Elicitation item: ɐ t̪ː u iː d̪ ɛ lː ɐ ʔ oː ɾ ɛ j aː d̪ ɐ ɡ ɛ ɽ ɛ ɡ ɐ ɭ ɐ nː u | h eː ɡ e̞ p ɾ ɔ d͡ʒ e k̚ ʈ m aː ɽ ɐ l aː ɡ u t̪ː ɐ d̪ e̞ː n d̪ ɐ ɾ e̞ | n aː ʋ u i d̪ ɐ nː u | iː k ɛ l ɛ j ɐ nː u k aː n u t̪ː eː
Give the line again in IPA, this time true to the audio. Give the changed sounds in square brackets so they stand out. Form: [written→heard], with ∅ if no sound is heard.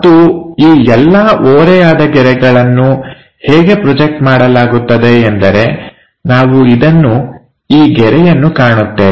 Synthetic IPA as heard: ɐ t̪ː u iː [d̪→∅] ɛ lː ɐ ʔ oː ɾ ɛ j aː d̪ ɐ ɡ ɛ [ɽ→ɾ] ɛ ɡ ɐ ɭ ɐ nː u | h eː ɡ e̞ p ɾ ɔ d͡ʒ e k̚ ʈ m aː ɽ ɐ l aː ɡ u t̪ː ɐ d̪ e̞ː n d̪ ɐ ɾ e̞ | n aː ʋ u i d̪ ɐ nː u | iː [k→ɡ] ɛ [l→ɾ] ɛ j ɐ nː u k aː [n→ɳ] u t̪ː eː